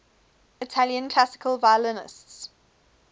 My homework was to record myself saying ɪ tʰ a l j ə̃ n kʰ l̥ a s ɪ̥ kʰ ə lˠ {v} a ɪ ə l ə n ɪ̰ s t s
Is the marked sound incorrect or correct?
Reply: correct